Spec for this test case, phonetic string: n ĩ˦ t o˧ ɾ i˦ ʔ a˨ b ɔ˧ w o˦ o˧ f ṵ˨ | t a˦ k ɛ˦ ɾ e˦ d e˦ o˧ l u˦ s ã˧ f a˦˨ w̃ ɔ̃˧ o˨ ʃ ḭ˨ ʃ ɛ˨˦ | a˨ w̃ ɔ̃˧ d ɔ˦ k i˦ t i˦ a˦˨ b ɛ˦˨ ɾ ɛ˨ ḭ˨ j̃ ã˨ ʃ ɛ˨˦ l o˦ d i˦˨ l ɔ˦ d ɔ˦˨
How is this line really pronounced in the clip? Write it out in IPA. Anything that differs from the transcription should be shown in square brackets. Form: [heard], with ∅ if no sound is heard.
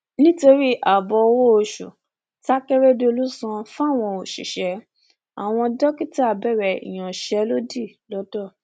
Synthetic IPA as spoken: n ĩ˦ t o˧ ɾ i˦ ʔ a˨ b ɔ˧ w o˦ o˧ [ʃ] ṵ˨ | t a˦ k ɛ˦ ɾ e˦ d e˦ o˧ l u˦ s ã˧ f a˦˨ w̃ ɔ̃˧ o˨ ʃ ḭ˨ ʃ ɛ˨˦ | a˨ w̃ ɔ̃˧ d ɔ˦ k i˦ t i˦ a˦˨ b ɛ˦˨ ɾ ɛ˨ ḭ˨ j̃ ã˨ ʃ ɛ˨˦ l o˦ d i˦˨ l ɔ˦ d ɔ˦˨